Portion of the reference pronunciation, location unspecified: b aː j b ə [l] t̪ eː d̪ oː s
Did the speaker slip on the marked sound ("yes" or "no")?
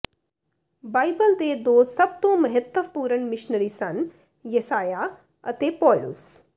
no